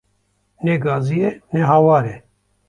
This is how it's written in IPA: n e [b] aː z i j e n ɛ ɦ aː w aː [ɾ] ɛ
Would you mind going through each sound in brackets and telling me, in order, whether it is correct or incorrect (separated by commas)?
incorrect, correct